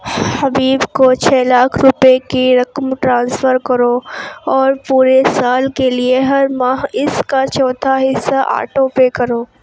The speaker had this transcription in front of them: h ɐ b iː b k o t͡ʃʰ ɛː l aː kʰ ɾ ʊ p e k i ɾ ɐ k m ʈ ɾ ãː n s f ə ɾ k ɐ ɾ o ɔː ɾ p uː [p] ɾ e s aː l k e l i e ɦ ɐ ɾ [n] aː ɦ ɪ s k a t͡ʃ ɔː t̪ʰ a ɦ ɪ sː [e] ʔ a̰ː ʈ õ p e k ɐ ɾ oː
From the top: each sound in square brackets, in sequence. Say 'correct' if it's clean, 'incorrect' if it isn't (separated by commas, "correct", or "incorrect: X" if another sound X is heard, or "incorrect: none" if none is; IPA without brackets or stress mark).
incorrect: none, incorrect: m, incorrect: a